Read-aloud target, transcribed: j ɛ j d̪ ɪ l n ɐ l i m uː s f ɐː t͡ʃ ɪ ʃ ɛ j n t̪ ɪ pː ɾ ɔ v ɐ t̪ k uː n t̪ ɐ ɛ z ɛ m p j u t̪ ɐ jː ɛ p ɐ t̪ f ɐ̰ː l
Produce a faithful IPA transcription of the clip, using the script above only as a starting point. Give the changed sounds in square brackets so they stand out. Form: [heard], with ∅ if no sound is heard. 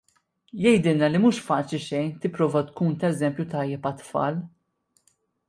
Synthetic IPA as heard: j ɛ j d̪ ɪ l n ɐ l i m uː [ʃ] f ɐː t͡ʃ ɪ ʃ ɛ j n t̪ ɪ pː ɾ [ɔː] v ɐ t̪ k uː n t̪ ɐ ɛ z ɛ m p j u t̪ ɐ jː ɛ p ɐ t̪ f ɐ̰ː l